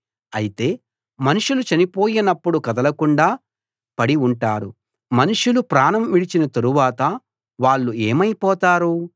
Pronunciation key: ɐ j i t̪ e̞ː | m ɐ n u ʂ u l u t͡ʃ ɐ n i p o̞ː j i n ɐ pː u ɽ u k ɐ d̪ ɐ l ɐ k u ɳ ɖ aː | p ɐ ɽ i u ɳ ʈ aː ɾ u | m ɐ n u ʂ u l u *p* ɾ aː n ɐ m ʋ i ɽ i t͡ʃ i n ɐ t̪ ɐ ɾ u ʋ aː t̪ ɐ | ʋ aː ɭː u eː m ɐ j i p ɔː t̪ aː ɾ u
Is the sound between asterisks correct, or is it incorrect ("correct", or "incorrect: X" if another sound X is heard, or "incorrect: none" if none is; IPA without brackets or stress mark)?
correct